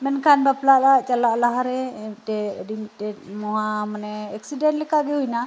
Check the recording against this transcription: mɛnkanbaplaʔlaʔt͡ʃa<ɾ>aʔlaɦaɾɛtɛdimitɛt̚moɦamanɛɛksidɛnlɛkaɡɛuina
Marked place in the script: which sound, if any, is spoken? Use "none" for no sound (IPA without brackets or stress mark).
l